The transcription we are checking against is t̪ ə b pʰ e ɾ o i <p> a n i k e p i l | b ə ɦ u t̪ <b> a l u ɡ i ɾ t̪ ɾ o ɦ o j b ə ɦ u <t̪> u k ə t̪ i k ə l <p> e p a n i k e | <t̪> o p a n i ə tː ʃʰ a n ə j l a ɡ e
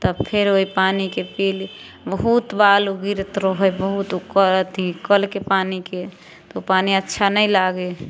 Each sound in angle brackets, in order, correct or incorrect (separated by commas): correct, correct, correct, incorrect, correct